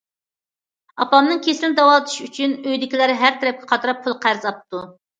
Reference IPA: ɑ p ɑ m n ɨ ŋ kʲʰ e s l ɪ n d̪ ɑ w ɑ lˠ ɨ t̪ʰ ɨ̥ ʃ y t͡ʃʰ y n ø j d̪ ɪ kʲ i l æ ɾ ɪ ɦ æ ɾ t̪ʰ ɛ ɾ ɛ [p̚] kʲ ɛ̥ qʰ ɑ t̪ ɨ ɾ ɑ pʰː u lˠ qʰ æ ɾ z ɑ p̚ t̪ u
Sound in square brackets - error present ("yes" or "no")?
no